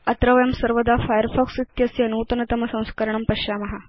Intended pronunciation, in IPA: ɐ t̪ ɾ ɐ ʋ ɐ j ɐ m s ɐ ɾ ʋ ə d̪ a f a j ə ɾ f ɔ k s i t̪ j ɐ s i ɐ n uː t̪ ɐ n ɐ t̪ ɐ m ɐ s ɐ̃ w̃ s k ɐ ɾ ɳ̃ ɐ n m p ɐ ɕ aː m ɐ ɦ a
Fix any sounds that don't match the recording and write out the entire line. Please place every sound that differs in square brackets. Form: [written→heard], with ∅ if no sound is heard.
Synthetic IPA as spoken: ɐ t̪ ɾ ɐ ʋ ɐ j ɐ m s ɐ ɾ ʋ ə d̪ a f a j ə ɾ f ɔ k s i t̪ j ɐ s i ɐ n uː t̪ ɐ n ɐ t̪ ɐ m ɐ s ɐ̃ w̃ s k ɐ ɾ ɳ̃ ɐ [n→∅] m p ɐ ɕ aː m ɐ ɦ a